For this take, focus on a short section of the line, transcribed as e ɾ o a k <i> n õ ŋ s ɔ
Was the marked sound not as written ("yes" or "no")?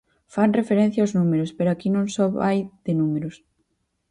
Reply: no